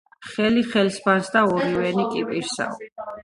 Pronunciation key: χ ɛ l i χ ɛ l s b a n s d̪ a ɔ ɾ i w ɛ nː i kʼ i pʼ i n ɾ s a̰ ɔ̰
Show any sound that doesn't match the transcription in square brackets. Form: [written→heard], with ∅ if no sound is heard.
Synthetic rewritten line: χ ɛ l i χ ɛ l s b a n s d̪ a ɔ ɾ i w ɛ [nː→n] i kʼ i pʼ i [n→∅] ɾ s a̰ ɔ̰